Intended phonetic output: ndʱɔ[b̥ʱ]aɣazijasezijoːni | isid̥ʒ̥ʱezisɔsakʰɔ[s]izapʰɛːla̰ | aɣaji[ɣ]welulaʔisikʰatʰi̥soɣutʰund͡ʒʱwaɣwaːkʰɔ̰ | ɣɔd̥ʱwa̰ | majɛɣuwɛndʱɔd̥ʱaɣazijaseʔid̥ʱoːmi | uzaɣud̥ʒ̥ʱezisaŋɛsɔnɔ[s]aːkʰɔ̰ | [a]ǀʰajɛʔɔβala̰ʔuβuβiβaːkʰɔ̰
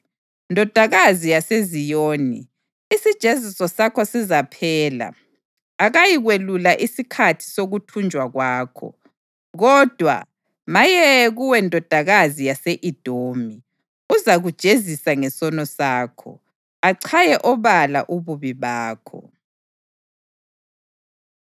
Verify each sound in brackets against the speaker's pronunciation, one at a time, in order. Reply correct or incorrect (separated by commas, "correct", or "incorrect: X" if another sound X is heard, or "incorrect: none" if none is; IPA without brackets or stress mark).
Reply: incorrect: d̥ʱ, correct, correct, correct, correct